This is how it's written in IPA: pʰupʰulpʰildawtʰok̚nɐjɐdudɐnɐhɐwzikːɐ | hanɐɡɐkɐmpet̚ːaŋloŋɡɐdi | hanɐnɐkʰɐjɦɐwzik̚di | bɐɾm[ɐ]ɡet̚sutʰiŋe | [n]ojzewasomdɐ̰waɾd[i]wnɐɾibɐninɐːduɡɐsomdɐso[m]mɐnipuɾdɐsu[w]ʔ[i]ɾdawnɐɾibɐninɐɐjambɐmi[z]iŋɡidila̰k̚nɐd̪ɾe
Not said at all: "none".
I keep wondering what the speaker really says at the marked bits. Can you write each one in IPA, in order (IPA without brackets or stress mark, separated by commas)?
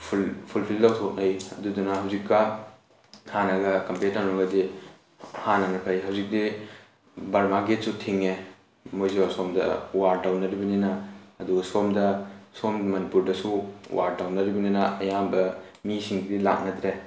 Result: a, m, a, m, w, a, s